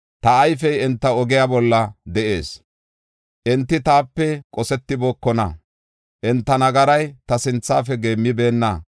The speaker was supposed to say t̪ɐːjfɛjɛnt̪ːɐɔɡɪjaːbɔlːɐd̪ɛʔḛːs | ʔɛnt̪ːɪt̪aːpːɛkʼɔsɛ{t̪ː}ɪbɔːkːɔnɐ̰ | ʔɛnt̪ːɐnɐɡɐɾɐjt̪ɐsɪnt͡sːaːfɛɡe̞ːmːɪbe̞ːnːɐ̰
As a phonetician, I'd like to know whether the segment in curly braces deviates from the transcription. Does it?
no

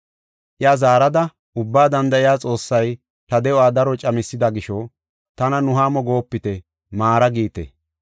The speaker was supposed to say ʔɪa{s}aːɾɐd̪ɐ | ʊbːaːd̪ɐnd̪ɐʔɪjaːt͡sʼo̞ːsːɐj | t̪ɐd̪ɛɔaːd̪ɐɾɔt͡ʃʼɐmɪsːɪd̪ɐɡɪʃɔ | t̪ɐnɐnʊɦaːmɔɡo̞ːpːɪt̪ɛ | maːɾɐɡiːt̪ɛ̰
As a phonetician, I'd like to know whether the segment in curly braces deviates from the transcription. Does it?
yes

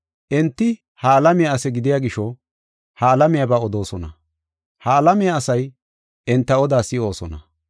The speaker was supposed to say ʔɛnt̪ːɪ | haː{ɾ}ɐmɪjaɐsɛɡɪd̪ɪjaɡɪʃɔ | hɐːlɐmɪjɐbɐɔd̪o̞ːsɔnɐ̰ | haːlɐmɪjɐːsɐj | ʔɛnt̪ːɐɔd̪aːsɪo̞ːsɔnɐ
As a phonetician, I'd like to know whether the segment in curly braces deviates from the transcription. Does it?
yes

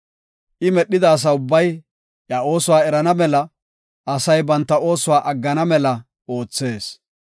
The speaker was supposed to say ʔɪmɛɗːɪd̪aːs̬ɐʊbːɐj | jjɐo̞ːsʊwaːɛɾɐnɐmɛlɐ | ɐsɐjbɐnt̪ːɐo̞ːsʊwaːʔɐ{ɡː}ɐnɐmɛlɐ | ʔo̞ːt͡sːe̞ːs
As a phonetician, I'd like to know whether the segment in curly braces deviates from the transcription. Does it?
no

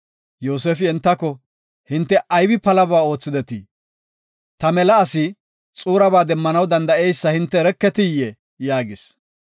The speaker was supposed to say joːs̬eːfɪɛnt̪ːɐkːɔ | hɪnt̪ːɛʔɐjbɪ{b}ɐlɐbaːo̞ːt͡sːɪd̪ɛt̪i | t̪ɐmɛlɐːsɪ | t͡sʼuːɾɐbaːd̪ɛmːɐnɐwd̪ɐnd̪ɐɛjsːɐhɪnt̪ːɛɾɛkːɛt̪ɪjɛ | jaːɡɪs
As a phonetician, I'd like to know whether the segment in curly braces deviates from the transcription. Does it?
yes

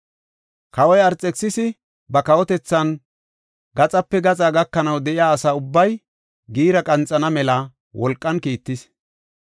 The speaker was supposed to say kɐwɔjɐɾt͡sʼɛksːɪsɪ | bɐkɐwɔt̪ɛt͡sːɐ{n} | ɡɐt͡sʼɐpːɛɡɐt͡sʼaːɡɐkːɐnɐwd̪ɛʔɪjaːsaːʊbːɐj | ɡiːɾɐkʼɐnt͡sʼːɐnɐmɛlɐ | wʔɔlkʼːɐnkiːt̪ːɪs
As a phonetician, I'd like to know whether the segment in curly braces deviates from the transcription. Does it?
no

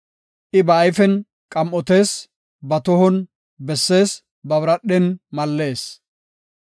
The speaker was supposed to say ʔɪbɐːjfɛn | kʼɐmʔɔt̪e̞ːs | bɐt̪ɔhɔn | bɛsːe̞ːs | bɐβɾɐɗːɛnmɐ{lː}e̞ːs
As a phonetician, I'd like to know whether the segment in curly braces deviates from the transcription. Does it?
no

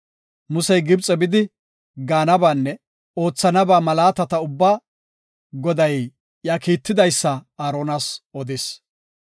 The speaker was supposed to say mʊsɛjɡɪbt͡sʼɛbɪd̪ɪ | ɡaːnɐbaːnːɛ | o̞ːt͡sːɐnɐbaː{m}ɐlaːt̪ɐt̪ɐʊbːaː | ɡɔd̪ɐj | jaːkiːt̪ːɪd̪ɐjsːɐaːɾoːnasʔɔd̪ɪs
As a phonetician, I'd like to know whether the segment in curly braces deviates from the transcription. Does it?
no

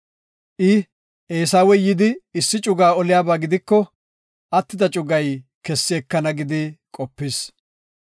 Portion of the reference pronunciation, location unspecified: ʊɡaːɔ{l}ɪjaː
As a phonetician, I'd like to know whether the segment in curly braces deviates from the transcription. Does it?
no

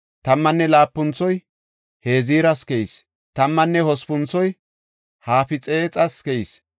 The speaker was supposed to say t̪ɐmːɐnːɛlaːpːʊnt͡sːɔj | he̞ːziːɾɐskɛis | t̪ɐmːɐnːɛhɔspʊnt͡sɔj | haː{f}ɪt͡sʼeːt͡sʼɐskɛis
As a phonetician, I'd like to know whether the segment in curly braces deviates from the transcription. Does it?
no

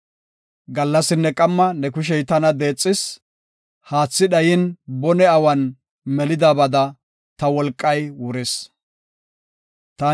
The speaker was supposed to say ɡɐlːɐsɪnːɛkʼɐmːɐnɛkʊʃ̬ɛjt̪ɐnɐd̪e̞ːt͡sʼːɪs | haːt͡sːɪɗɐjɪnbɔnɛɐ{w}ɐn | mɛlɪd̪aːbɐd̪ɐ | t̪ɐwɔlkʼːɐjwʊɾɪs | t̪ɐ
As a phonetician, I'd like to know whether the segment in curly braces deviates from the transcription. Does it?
no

